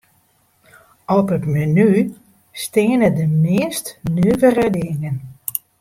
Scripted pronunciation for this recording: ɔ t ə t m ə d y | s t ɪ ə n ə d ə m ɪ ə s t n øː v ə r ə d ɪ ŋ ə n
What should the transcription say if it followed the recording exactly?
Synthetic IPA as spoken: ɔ p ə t m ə n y | s t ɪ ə n ə d ə m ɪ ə s t n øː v ə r ə d ɪ ŋ ə n